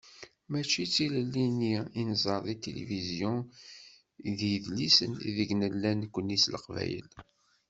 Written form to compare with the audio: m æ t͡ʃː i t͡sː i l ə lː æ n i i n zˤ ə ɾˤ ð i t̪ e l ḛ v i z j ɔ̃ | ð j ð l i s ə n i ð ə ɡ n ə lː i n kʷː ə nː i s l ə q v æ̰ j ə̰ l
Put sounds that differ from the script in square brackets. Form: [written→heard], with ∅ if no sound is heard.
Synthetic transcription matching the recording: m æ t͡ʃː i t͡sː i l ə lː [æ→i] n i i n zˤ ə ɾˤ ð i t̪ e l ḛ v i z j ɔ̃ | ð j ð l i s ə n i ð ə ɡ n ə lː [i→æ] n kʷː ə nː i s l ə q v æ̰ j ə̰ l